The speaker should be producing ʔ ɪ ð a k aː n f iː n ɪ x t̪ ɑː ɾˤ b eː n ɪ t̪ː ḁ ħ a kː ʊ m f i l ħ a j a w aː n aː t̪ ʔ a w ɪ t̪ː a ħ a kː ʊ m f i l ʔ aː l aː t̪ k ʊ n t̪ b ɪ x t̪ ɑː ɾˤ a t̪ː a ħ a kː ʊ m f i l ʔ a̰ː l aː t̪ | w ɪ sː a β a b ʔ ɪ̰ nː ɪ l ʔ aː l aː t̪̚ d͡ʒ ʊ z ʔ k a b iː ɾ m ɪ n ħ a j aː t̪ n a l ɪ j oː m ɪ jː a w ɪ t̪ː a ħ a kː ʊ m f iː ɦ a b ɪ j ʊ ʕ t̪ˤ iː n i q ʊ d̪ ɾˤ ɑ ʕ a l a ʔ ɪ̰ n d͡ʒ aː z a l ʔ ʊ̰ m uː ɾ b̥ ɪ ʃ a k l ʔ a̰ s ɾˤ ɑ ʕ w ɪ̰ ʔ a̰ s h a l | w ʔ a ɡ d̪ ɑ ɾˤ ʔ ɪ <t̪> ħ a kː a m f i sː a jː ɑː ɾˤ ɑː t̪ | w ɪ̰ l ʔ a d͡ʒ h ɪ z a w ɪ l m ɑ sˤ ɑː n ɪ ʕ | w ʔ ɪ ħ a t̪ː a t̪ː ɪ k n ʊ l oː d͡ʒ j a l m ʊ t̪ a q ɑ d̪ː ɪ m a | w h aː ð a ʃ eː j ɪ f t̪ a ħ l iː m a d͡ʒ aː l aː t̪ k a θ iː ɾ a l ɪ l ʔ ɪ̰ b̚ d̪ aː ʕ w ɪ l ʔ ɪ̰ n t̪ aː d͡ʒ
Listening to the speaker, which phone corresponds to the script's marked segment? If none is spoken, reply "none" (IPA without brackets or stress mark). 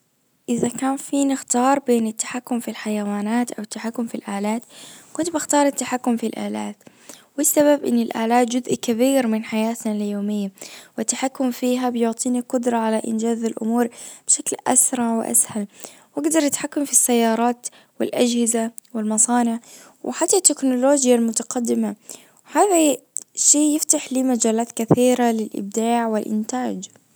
t̪